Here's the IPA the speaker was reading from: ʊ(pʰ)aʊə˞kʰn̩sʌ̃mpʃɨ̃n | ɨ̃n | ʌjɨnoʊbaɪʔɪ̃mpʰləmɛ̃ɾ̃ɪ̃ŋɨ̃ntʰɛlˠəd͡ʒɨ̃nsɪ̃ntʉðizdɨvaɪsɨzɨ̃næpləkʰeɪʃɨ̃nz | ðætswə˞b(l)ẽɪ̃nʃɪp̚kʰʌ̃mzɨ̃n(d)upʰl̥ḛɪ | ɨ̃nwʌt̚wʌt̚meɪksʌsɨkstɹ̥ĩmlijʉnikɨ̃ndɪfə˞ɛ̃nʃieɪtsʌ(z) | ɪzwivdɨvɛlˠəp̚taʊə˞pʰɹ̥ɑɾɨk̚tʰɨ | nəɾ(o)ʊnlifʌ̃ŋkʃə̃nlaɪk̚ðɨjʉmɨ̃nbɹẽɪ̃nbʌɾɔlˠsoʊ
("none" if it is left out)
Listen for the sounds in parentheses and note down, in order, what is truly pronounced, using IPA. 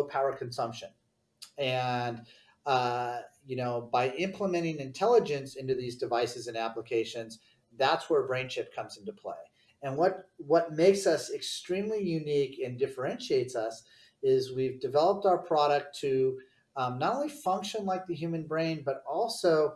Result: pʰ, ɹ, t, s, õ

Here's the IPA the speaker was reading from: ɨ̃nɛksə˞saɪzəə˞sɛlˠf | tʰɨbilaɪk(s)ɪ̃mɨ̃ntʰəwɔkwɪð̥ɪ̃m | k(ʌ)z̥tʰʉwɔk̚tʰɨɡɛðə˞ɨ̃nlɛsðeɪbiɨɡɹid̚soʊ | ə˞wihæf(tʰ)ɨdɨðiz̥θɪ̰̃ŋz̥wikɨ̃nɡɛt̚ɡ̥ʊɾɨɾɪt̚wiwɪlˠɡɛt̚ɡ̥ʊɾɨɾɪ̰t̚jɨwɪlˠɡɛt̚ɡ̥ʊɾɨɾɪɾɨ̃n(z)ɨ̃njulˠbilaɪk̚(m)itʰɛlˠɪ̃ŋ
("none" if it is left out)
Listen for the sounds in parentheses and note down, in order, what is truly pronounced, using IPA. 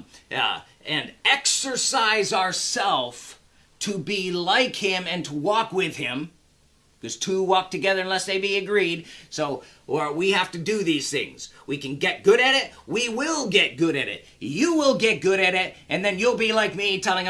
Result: h, ʌ, t, ð, m

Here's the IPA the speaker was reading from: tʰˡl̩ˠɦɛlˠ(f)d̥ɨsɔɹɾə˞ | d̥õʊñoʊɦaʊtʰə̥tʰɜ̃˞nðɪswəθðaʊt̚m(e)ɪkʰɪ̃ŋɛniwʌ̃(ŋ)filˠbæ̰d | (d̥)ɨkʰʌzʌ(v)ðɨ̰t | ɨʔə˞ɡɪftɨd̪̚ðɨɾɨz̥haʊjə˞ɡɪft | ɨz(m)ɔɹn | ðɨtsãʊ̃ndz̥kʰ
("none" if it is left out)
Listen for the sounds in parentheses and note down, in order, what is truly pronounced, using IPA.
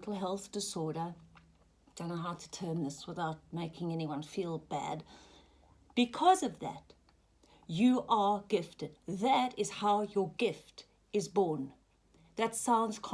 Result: θ, e, n, b̥, v, b

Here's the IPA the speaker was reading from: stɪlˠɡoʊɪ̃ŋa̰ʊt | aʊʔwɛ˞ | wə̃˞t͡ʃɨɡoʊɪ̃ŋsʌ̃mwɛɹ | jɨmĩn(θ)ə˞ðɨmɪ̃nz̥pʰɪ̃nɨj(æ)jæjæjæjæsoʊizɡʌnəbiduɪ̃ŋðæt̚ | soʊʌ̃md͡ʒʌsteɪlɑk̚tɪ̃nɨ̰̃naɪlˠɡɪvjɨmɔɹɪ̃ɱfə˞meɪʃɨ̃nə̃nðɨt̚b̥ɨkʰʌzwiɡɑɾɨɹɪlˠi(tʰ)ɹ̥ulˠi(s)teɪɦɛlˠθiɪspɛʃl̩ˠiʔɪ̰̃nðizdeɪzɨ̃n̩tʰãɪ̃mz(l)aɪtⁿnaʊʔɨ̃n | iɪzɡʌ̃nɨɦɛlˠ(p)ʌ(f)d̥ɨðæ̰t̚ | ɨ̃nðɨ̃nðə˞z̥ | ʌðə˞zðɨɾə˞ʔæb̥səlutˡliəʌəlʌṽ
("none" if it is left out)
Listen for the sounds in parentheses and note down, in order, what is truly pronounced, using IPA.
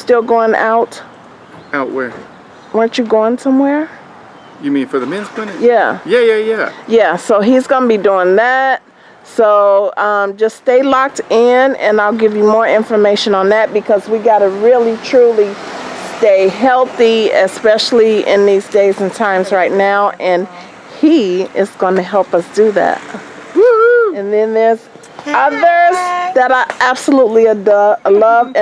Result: f, æ, tʰ, s, ɹ, p, s

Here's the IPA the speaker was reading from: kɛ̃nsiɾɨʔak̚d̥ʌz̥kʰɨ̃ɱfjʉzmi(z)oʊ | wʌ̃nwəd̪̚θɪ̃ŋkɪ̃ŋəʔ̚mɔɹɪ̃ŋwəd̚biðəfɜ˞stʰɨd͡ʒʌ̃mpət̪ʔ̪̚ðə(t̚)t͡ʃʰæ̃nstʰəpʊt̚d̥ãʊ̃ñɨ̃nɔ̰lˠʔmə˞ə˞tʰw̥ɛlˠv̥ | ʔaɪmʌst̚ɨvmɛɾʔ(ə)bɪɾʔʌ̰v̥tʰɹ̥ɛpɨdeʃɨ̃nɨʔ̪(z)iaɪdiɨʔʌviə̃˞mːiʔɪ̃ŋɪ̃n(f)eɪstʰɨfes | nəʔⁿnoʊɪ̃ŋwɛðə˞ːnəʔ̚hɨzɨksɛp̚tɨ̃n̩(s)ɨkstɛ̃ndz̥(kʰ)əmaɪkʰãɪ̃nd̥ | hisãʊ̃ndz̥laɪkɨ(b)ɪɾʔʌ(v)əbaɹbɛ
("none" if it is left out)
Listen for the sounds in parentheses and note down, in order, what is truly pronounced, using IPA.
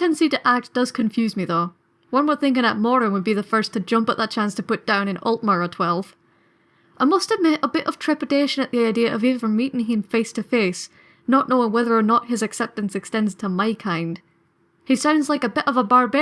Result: ð, t̚, ə, ð, f, s, tʰ, b, v

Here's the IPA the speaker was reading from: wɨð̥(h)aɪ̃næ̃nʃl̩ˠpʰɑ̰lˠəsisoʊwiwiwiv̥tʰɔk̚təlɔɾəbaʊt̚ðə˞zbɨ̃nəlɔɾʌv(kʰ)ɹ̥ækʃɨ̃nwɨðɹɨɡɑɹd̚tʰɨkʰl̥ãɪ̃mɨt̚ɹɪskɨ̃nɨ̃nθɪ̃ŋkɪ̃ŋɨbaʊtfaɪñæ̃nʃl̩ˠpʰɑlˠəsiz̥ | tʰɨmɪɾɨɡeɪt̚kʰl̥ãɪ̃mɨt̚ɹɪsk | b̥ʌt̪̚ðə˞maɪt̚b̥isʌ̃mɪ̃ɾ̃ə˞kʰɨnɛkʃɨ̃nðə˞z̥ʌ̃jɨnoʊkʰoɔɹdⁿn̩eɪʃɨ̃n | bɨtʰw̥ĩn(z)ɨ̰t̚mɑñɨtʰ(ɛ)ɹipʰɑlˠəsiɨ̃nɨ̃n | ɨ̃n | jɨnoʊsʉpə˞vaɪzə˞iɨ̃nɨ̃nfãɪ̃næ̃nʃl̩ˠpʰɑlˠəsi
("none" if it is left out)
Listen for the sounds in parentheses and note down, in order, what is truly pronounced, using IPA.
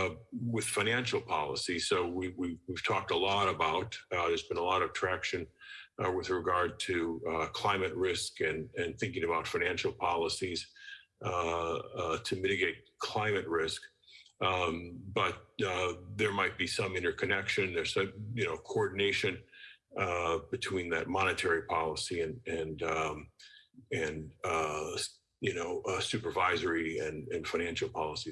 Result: f, tʰ, ð, ɛ

